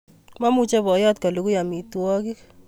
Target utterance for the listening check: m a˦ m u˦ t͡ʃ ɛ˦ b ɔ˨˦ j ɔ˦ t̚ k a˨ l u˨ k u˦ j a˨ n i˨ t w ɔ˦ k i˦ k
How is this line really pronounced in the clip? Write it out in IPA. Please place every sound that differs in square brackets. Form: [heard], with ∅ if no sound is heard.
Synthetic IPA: m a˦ m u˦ t͡ʃ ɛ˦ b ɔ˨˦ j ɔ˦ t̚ k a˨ l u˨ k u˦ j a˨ [m] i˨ t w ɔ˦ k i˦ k